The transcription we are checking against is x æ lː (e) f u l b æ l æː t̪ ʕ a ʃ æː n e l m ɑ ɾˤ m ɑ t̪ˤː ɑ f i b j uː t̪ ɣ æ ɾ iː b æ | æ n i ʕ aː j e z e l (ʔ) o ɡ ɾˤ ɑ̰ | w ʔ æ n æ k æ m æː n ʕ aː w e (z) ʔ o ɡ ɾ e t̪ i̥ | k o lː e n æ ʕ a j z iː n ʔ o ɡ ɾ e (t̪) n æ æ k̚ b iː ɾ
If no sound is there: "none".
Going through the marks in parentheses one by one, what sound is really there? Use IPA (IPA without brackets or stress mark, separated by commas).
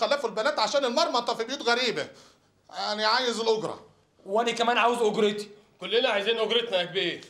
æ, ʔ, z, t̪